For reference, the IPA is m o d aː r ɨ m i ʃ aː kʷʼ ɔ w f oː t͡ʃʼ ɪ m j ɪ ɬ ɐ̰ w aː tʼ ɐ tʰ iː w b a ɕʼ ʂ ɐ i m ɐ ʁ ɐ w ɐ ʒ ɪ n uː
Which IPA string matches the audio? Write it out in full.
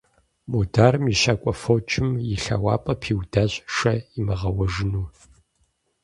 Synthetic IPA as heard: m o d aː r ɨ m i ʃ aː kʷʼ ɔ f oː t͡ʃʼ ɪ m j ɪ ɬ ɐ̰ w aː pʼ ɐ pʰ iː w d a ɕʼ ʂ ɐ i m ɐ ʁ ɐ w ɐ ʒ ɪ n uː